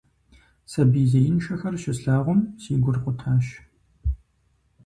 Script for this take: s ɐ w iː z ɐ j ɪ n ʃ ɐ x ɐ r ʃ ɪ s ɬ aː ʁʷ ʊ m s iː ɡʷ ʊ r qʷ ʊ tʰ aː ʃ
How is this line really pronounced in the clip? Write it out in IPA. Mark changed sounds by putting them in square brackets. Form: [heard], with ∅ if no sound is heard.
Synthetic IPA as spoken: s ɐ [b] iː z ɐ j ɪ n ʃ ɐ x ɐ r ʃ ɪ s ɬ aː ʁʷ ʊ m s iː ɡʷ ʊ r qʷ ʊ tʰ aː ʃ